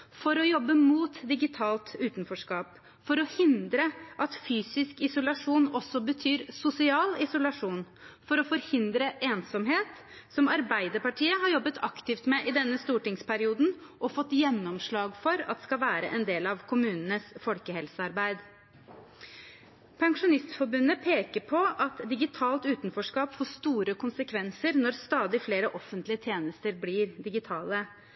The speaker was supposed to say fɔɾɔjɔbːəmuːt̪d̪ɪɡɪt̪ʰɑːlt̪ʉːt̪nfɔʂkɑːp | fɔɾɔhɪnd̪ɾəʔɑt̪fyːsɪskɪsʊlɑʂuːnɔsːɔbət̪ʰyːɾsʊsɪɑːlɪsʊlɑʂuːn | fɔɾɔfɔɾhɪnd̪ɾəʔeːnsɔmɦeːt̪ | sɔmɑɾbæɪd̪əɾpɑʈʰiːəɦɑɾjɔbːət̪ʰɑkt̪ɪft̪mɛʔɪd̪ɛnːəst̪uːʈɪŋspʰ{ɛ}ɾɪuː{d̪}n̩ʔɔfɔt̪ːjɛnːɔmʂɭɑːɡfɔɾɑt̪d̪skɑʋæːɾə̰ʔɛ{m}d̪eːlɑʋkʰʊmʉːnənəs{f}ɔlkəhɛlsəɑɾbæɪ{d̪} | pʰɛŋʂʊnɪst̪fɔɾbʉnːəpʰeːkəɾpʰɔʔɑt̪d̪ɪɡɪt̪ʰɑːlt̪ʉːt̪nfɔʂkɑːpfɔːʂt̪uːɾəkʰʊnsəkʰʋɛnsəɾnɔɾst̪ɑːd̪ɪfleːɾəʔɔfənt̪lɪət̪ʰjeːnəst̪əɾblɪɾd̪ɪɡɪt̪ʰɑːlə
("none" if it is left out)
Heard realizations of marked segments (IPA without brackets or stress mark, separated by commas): æ, d̪, n, f, d̪